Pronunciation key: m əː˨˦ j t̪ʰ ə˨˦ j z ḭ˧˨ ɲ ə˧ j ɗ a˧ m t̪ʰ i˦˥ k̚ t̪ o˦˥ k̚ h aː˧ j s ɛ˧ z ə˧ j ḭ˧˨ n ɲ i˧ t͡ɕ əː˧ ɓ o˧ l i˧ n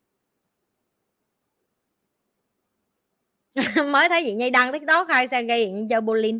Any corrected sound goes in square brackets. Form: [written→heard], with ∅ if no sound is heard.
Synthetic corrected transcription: m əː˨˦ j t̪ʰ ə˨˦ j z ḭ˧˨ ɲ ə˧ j ɗ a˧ [m→ŋ] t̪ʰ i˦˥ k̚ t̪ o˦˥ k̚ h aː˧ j s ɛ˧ [z→ɣ] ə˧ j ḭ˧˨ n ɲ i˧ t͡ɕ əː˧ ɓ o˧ l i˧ n